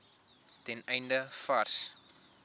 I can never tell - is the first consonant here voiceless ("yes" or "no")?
yes